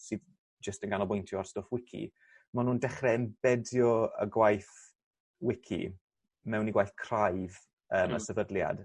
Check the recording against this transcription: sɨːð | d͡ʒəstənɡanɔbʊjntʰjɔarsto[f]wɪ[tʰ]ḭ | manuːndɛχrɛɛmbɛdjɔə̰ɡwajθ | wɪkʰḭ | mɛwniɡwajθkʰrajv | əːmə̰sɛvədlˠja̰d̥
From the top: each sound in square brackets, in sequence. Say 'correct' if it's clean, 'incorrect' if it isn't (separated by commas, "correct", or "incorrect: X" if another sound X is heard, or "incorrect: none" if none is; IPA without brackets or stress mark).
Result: correct, incorrect: kʰ